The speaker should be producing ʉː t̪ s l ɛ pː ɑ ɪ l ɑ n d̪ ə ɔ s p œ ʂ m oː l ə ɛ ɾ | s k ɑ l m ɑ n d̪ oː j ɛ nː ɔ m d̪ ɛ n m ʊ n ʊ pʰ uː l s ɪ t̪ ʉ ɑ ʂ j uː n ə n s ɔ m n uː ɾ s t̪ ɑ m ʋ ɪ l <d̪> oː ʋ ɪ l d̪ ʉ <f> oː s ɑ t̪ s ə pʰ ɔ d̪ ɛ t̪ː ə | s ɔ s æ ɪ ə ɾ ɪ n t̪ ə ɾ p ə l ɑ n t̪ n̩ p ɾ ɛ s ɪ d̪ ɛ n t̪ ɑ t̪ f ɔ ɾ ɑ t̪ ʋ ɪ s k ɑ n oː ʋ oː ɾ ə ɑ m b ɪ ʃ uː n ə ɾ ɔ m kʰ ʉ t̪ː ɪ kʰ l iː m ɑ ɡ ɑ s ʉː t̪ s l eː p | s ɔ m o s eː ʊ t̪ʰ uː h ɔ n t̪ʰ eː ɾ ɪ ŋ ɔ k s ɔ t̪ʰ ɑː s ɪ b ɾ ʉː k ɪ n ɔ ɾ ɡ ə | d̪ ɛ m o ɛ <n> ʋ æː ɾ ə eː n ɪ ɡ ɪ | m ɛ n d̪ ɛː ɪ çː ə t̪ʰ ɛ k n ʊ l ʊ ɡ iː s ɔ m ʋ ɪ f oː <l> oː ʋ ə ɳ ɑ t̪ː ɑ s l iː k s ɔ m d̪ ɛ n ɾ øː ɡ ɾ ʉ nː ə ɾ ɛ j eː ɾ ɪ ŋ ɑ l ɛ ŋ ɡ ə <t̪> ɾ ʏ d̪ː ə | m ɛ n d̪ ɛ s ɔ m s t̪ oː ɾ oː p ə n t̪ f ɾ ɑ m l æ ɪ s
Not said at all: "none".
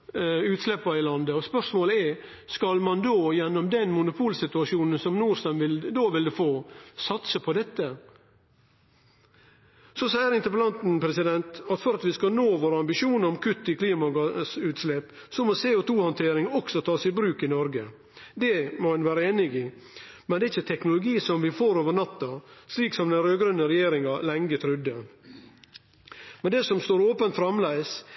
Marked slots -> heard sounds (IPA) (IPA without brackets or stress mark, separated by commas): d̪, f, n, ɾ, t̪ʰ